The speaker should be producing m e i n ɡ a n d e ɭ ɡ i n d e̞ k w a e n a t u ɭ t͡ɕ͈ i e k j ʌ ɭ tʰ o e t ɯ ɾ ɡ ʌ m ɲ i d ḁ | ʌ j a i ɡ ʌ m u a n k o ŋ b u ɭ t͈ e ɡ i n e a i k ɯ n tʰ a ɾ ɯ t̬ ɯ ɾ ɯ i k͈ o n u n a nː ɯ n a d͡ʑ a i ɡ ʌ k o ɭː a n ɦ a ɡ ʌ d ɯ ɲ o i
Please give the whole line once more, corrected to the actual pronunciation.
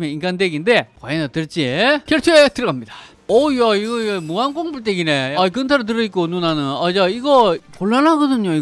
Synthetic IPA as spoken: m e i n ɡ a n d e ɡ i n d e̞ k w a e n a t ɯ ɭ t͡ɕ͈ i e k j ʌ ɭ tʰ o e t ɯ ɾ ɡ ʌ m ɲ i d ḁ | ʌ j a i ɡ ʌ m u a n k o ŋ b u ɭ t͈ e ɡ i n e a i k ɯ n tʰ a ɾ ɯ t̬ ɯ ɾ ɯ i k͈ o n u n a n ɯ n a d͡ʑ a i ɡ ʌ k o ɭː a n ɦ a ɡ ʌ d ɯ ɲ o i